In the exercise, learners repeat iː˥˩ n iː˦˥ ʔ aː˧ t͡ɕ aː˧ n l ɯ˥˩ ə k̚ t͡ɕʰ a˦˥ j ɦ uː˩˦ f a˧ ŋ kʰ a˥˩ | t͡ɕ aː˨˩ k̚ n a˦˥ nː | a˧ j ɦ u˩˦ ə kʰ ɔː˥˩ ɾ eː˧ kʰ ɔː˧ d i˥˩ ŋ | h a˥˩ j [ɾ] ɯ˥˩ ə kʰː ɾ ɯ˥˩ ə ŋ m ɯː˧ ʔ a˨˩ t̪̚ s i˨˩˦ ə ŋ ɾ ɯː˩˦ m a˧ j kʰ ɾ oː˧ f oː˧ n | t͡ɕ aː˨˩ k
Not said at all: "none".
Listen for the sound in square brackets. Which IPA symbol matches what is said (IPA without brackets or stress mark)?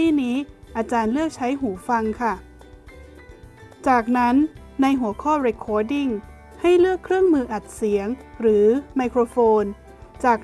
l